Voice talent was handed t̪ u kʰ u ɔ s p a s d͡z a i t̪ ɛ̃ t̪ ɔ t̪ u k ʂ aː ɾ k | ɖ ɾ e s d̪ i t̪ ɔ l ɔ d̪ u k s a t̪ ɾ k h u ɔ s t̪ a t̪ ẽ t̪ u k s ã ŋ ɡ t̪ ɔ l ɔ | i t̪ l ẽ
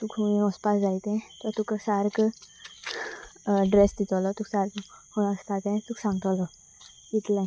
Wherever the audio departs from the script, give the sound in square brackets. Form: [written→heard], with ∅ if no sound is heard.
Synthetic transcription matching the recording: t̪ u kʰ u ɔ s p a s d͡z a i t̪ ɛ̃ t̪ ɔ t̪ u k [ʂ→s] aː ɾ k | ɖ ɾ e s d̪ i t̪ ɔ l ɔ [d̪→t̪] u k s a [t̪→∅] ɾ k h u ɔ s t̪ a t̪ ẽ t̪ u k s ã ŋ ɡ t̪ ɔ l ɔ | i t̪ l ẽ